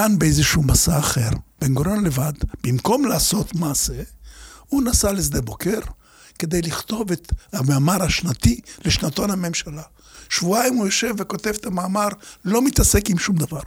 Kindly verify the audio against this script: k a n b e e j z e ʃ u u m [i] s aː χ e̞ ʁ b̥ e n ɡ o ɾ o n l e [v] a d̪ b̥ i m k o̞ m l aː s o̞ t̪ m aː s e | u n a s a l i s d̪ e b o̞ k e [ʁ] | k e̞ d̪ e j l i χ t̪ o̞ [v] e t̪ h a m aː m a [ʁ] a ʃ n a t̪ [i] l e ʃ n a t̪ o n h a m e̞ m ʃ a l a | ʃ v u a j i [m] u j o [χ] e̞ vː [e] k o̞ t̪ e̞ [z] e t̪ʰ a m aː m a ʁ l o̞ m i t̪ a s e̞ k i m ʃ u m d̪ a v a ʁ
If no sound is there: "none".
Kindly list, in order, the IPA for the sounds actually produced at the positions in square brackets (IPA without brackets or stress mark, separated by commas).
a, v, ʁ, v, ʁ, i, m, ʃ, e, v